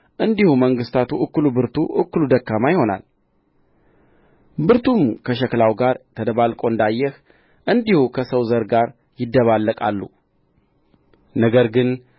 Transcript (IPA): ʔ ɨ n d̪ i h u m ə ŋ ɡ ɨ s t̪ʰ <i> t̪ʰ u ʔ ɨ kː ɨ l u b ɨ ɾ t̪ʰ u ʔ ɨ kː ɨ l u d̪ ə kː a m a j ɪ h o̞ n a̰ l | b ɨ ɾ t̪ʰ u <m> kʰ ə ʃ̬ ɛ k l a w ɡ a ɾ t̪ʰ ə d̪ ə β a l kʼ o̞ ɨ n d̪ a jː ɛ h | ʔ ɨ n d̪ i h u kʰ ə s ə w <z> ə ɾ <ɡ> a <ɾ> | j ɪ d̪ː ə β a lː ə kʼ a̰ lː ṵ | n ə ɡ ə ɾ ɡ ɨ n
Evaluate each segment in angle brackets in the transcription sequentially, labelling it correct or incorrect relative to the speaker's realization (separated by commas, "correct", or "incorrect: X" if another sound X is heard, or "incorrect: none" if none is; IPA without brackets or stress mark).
incorrect: a, correct, correct, correct, correct